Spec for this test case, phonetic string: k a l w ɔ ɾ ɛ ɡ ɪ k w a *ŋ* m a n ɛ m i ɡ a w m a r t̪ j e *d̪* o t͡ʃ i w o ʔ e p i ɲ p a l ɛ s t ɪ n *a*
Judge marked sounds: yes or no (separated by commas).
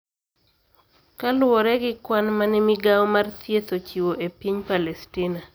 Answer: no, no, yes